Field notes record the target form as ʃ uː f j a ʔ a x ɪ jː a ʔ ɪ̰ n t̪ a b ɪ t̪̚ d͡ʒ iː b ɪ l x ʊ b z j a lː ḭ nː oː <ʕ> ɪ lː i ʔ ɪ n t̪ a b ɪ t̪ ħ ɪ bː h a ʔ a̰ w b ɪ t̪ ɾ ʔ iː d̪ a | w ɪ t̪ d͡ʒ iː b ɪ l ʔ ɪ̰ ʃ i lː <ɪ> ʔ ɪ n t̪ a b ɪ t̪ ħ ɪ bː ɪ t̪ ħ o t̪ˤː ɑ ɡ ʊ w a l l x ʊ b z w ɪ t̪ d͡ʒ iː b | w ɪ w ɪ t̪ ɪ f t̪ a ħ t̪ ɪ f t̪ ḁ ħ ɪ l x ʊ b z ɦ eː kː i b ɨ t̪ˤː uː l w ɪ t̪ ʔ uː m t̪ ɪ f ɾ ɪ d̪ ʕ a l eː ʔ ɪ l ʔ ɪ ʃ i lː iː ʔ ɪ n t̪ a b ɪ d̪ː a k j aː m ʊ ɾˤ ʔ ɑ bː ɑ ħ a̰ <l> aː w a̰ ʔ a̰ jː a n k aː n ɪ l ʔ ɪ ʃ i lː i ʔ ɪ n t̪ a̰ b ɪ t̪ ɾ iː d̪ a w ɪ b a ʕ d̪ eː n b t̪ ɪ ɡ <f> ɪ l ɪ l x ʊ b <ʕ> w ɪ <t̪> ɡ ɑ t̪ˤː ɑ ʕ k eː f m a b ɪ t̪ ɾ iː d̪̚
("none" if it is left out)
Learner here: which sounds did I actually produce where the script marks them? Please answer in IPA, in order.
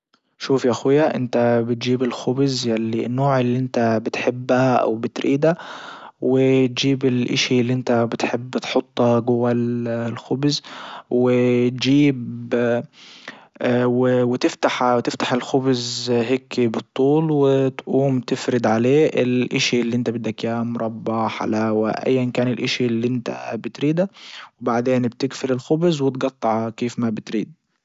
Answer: ʕ, i, l, f, z, t̪

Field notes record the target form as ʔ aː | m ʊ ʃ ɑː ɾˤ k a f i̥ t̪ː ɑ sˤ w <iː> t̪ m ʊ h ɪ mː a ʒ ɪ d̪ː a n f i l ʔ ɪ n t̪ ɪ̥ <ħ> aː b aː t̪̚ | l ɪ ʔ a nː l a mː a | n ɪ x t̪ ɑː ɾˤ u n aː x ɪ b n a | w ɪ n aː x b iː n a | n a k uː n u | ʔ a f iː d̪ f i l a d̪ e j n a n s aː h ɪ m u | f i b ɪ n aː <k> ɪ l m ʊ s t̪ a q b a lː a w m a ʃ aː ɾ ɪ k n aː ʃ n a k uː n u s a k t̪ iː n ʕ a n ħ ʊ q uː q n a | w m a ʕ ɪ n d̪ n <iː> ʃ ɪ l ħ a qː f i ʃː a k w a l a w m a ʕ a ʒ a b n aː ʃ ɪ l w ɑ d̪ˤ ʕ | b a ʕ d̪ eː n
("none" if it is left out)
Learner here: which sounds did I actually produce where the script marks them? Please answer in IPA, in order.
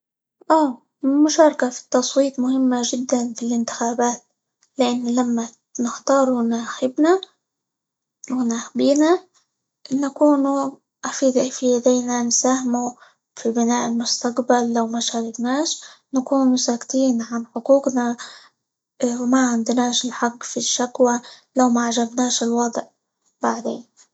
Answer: iː, x, ʔ, aː

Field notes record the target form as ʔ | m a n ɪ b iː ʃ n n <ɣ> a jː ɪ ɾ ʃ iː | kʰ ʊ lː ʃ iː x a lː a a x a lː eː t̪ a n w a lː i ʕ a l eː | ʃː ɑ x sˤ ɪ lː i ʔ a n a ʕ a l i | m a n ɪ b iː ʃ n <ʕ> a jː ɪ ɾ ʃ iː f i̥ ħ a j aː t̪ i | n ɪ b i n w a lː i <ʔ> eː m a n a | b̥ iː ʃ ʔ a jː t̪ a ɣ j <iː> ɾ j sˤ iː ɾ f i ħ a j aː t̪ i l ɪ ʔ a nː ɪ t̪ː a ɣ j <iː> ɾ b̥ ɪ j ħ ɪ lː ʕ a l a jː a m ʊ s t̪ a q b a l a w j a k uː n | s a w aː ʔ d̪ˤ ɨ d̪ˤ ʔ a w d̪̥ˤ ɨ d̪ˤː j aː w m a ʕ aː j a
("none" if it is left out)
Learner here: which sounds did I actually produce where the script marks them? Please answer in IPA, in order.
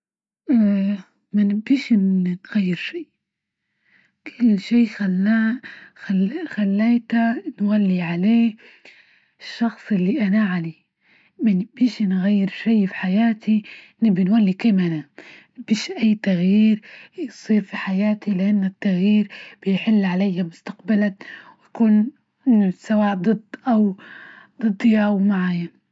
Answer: ɣ, ɣ, k, iː, iː

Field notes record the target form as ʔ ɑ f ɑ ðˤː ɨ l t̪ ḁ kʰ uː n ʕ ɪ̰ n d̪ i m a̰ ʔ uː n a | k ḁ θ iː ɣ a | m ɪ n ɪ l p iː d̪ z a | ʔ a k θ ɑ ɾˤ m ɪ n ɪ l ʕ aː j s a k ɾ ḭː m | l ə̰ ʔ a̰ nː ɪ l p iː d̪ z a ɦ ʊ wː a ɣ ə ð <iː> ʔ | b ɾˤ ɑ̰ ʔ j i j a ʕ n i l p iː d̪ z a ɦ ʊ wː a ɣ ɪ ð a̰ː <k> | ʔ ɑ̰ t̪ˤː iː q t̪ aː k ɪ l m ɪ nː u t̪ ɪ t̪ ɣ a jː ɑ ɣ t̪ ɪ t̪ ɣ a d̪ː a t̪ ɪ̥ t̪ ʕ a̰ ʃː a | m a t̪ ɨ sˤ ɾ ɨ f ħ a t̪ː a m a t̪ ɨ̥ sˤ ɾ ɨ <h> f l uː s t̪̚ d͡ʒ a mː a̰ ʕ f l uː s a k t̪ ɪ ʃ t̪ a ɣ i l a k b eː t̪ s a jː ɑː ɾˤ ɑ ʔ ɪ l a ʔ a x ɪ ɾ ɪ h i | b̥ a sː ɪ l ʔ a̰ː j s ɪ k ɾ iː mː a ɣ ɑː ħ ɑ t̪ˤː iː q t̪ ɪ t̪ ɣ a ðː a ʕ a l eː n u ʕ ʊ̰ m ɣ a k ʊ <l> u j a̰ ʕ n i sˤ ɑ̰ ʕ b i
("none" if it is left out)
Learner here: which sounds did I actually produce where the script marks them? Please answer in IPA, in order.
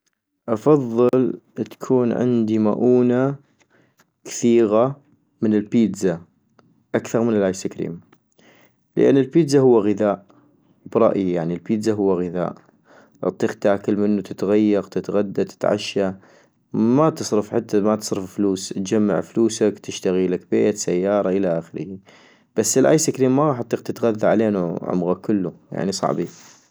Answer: aː, ʔ, f, lː

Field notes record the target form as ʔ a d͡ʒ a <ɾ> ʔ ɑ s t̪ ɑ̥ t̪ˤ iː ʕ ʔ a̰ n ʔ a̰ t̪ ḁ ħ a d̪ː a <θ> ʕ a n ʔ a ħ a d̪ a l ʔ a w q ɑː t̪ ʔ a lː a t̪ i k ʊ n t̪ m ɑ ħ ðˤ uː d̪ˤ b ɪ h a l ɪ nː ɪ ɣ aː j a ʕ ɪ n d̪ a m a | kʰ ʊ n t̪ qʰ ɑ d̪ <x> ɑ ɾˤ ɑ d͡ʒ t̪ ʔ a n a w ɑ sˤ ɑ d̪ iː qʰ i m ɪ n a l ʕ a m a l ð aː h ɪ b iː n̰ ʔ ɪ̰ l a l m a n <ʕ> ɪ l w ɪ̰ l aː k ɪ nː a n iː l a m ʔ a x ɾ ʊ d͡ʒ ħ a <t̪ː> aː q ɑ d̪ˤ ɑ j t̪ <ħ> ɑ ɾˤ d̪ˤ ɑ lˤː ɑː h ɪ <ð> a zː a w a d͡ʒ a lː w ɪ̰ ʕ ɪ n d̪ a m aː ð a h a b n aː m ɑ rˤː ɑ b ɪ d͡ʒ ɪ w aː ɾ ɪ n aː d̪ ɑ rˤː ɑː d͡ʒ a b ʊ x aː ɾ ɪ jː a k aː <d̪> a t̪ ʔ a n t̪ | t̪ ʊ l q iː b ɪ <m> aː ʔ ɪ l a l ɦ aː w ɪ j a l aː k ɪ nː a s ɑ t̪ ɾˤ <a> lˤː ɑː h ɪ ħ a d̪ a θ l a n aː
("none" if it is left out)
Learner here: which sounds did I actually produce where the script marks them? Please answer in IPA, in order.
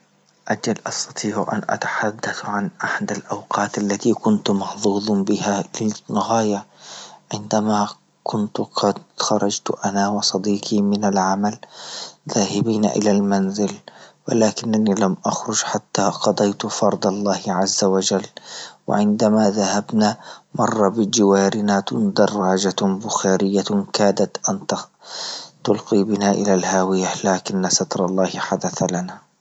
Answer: l, θ, x, z, t̪ː, f, ʕ, d̪, n, ɑ

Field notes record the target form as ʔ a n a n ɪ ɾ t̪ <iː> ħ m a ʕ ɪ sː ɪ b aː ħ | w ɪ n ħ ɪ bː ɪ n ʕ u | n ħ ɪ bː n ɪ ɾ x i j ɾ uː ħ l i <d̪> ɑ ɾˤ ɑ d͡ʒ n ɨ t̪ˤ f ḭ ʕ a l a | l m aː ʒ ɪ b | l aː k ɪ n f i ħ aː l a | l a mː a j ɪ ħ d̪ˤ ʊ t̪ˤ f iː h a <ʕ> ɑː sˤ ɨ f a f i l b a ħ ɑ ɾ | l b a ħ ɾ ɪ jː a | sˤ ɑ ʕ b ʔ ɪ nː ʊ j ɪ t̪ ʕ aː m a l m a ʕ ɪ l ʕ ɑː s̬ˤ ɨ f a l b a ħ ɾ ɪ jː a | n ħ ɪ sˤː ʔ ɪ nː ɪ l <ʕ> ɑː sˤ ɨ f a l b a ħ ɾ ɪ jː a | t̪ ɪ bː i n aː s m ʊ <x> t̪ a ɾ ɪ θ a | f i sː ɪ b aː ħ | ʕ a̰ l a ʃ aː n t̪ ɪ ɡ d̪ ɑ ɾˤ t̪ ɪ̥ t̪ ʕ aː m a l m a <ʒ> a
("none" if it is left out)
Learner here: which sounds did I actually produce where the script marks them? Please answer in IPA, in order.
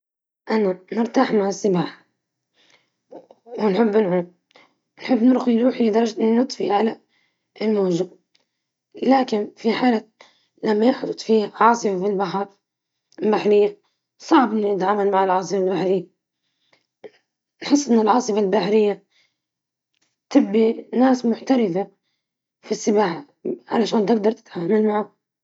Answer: aː, d̪, ʕ, ʕ, ħ, ʕ

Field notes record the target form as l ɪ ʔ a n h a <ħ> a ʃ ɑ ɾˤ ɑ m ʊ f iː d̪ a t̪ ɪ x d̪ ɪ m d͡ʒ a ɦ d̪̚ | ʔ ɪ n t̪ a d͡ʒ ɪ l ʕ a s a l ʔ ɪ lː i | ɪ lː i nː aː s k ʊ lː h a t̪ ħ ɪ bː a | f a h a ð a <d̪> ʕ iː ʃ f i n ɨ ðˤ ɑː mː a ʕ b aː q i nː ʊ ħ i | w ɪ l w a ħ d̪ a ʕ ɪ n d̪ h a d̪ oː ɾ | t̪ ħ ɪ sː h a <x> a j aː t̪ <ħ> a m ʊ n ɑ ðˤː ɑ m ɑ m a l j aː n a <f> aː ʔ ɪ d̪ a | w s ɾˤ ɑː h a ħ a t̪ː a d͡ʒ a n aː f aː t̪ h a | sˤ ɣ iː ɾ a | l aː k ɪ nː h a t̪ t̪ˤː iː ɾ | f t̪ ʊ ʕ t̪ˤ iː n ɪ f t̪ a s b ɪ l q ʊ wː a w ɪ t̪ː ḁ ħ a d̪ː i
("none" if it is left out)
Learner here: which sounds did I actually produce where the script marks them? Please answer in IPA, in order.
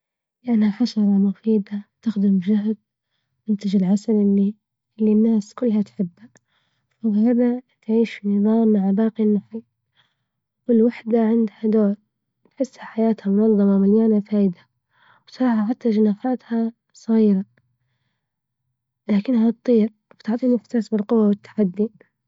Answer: ħ, t̪, ħ, h, f

